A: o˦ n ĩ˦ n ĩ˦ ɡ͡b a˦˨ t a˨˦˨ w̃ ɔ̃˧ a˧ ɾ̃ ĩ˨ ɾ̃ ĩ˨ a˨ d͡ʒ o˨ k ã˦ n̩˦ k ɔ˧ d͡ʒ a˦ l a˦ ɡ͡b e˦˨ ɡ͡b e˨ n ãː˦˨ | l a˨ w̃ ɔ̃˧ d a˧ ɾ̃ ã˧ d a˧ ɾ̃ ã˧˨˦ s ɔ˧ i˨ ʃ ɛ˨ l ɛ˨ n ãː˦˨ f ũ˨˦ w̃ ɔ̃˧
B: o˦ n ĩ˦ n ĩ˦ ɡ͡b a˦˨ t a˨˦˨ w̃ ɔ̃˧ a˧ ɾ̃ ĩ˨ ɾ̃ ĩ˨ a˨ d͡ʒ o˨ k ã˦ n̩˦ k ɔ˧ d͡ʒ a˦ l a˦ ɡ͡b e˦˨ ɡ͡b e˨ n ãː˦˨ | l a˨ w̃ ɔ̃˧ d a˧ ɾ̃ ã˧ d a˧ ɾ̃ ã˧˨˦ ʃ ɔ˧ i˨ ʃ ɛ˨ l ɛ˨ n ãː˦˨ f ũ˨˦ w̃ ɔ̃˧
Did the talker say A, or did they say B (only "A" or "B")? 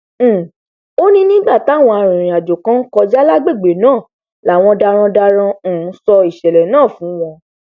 A